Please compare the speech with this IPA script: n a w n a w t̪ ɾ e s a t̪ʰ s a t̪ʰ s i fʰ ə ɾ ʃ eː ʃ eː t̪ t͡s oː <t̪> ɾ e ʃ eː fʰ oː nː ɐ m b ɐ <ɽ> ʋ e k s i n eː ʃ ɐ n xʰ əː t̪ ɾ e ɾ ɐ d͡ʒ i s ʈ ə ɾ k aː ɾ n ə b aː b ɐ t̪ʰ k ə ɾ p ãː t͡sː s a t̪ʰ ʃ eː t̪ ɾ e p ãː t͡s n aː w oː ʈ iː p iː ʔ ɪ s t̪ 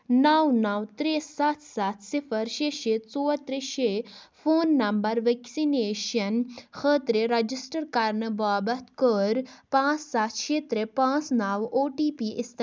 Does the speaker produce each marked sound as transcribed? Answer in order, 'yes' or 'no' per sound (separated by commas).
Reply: yes, no